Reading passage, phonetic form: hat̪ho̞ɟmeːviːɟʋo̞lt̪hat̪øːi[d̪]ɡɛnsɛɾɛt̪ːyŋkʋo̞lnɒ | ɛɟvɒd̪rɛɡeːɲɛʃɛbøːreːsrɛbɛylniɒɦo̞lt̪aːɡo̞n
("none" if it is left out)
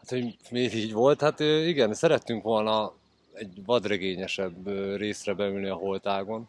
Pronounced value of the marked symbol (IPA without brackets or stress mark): none